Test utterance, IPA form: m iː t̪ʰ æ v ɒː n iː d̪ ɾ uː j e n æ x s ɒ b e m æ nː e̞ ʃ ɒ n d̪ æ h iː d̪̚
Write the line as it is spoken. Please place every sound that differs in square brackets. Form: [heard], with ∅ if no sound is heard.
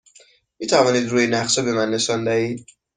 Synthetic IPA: m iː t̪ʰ æ v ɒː n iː d̪ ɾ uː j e n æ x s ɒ b e m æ nː e̞ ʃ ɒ n d̪ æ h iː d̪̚